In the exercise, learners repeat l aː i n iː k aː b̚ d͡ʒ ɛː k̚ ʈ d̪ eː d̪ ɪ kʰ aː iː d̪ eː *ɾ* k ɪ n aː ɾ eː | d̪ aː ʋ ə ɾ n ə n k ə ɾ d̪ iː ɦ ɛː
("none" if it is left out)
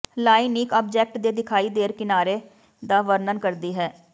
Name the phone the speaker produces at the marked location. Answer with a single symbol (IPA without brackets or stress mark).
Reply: ɾ